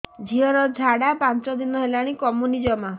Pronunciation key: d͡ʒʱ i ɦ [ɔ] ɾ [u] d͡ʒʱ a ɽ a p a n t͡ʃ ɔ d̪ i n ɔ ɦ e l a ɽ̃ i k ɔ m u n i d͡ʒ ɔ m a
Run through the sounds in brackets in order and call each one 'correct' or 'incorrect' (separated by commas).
correct, incorrect